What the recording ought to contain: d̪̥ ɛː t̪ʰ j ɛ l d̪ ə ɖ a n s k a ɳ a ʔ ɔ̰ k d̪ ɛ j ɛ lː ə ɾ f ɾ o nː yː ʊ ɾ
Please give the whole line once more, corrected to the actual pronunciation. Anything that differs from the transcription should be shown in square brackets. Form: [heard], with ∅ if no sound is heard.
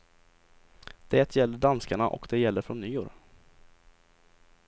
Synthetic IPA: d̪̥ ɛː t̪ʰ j ɛ l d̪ ə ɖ a n s k a ɳ a ʔ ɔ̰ k d̪ ɛ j ɛ lː ə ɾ f ɾ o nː yː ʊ ɾ

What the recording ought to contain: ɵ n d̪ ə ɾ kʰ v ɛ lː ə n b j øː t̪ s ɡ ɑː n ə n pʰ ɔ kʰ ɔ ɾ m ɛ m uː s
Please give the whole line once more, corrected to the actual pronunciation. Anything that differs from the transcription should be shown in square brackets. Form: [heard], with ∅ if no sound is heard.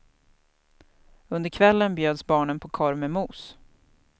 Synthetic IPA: ɵ n d̪ ə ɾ kʰ v ɛ lː ə n b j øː [d̪] s [b] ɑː [ɳ] ə n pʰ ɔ kʰ ɔ ɾ m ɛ m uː s

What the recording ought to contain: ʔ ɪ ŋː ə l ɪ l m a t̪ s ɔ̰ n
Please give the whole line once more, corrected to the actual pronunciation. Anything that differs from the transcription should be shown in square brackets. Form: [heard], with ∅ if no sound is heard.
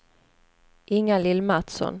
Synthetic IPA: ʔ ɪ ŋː [a] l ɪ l m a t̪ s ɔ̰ n

